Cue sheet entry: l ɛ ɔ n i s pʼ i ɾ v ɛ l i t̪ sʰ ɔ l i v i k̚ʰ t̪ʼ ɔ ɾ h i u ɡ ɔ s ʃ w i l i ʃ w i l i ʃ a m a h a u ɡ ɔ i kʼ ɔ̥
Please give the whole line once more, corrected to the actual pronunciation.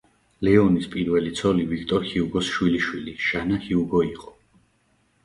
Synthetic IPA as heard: l ɛ ɔ n i s pʼ i ɾ v ɛ l i t̪ sʰ ɔ l i v i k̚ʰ t̪ʼ ɔ ɾ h i u ɡ ɔ s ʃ w i l i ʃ w i l i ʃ a n a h i u ɡ ɔ i qʼ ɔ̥